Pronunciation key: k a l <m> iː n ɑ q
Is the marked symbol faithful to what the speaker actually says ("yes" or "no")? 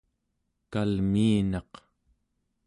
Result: yes